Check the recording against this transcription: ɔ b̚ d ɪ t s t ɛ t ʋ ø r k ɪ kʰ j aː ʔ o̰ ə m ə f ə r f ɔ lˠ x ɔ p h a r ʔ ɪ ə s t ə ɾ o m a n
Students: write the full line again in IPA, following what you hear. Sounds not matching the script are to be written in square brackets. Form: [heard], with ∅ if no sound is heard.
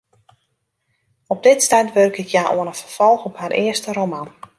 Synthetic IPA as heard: ɔ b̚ d ɪ t s t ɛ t ʋ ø r k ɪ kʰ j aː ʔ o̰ ə [n] ə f ə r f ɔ lˠ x ɔ p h a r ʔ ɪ ə s t ə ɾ o m a n